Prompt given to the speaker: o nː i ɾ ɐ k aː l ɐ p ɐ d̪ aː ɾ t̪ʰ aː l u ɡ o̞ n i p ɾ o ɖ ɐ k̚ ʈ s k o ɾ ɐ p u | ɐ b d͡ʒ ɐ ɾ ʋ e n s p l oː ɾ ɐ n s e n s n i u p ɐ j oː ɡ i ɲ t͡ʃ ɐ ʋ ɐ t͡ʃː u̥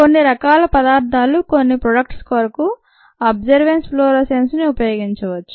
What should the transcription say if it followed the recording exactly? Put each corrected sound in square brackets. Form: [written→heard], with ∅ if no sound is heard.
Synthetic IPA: o nː i ɾ ɐ k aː l ɐ p ɐ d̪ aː ɾ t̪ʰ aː l u [ɡ→k] o̞ [n→nː] i p ɾ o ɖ ɐ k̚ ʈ s k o ɾ ɐ [p→k] u | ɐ b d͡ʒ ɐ ɾ ʋ e n s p l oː ɾ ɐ [n→∅] s e n s n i u p ɐ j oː ɡ i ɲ t͡ʃ ɐ ʋ ɐ t͡ʃː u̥